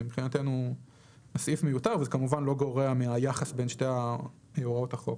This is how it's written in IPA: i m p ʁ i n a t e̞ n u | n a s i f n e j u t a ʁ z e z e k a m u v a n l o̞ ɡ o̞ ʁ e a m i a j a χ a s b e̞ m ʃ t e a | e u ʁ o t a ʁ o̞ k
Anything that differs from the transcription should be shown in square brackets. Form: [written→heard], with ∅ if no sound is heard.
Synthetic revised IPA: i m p [ʁ→χ] i n a t e̞ n u | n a s i f [n→m] e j u t a ʁ [z→v] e z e k a m u v a n l o̞ ɡ o̞ ʁ e a m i a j a χ a s b e̞ [m→n] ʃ t e a | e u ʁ o t a [ʁ→χ] o̞ k